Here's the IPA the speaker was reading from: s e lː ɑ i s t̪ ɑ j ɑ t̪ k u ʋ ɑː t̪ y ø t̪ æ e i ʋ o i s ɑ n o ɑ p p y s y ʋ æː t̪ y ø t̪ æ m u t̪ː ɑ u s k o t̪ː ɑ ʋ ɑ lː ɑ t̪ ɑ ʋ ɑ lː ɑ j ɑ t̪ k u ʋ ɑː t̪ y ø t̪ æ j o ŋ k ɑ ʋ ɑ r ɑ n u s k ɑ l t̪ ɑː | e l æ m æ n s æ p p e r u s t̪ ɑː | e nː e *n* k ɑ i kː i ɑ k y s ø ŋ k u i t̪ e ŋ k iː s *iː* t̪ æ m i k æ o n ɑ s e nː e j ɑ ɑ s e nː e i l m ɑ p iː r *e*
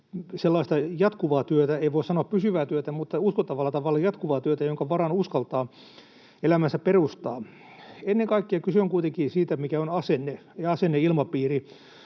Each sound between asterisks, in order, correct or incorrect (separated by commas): incorrect, correct, incorrect